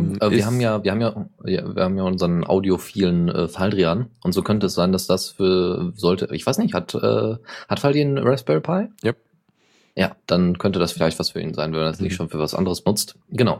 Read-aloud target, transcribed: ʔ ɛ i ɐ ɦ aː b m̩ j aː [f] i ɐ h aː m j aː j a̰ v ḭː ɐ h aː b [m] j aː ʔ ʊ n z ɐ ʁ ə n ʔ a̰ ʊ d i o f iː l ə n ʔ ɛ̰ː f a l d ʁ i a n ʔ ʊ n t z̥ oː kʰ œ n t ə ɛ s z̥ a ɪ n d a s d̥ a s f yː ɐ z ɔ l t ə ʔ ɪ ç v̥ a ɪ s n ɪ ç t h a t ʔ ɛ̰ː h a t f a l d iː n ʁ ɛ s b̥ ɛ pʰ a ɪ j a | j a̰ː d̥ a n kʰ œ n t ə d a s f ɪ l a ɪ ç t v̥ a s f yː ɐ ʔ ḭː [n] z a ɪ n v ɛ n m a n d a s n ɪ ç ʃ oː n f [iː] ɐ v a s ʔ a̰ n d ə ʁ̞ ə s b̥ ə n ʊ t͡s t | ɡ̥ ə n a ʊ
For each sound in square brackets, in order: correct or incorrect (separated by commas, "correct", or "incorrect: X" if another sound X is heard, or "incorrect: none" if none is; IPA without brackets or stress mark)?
incorrect: v, correct, correct, incorrect: yː